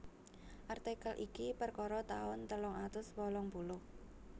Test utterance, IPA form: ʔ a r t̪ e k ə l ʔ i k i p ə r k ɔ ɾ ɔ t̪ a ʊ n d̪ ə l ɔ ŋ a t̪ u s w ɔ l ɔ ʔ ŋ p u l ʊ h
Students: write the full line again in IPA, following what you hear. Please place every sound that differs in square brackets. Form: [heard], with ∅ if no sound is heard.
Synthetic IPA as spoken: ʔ a r t̪ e k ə l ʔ i k i p ə r k ɔ ɾ ɔ t̪ a ʊ n [t̪] ə l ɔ ŋ a t̪ [ʊ] s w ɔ l ɔ [∅] ŋ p u l ʊ h

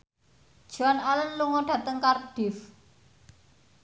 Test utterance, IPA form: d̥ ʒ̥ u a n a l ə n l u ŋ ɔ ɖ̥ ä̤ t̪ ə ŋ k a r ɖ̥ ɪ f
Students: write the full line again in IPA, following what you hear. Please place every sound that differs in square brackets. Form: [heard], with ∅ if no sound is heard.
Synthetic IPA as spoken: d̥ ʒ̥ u a n a l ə n l u ŋ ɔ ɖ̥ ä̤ t̪ ə ŋ k a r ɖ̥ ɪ f

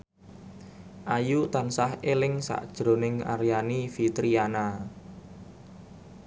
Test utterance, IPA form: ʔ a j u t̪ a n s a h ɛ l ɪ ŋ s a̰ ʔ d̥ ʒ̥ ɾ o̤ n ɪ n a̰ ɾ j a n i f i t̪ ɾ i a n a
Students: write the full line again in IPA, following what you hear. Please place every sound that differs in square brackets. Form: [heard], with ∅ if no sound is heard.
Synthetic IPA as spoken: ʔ a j u t̪ a n s a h [e] l ɪ ŋ s a̰ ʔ d̥ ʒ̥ ɾ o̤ n ɪ [ŋ] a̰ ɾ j a n i f i t̪ ɾ i a n a

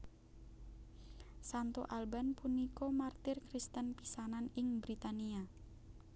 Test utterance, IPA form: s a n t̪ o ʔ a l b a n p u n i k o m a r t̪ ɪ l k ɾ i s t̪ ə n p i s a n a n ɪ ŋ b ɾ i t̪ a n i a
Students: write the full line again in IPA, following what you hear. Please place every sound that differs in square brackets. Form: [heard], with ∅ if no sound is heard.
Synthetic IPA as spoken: s a n t̪ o ʔ a l b a n p u n i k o m a r t̪ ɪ [r] k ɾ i s t̪ ə n p i s a n a n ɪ ŋ b ɾ i t̪ a n i a

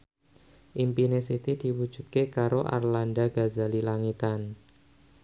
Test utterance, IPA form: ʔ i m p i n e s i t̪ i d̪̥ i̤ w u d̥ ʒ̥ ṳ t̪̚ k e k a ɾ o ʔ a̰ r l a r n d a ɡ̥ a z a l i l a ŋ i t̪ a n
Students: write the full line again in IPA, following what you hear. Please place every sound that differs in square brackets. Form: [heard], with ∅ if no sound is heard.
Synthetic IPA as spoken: ʔ i m p i n e s i t̪ i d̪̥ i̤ w u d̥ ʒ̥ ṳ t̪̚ k e k a ɾ o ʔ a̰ r l a [∅] n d a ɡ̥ a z a l i l a ŋ i t̪ a n

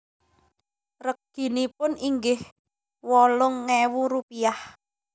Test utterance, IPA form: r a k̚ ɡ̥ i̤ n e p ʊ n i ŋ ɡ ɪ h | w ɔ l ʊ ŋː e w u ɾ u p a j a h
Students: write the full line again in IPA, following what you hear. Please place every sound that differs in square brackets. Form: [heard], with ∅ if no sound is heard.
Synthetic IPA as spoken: r [ə] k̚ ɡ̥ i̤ n [i] p ʊ n i ŋ ɡ ɪ h | w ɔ l ʊ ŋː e w u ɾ u p [i] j a h

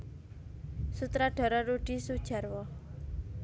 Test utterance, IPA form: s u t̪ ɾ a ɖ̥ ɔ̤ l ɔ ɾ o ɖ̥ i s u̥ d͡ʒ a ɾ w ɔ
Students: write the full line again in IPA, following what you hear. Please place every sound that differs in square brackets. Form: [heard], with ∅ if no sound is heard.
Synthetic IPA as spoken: s u t̪ ɾ a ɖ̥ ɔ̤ [ɾ] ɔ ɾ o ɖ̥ i s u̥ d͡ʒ a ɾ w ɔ

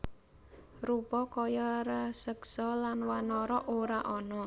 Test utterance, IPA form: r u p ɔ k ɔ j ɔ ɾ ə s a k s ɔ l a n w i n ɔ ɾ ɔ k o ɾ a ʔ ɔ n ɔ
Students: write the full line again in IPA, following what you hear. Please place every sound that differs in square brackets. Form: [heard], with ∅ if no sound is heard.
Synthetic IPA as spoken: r u p ɔ k ɔ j ɔ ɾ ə s [ə] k s ɔ l a n w [a] n ɔ ɾ ɔ [ʔ] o ɾ a ʔ ɔ n ɔ

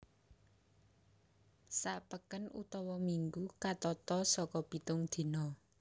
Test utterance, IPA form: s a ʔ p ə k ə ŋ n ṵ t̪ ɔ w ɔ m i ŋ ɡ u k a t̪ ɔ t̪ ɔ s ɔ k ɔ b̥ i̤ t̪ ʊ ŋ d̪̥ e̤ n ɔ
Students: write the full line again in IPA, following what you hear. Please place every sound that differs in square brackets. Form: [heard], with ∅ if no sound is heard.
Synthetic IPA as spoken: s a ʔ p ə k ə [∅] n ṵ t̪ ɔ w ɔ m i ŋ ɡ u k a t̪ ɔ t̪ ɔ s ɔ k ɔ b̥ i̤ t̪ ʊ ŋ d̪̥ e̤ n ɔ

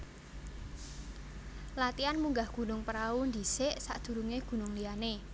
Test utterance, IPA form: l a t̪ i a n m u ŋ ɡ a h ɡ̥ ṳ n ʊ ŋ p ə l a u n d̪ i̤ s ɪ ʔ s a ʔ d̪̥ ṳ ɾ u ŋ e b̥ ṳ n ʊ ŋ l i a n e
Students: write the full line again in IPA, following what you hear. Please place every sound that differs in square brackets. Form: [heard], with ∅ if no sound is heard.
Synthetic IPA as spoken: l a t̪ i a n m u ŋ ɡ a h ɡ̥ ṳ n ʊ ŋ p ə [ɾ] a u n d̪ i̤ s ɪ ʔ s a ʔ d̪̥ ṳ ɾ u ŋ e [ɡ̥] ṳ n ʊ ŋ l i a n e

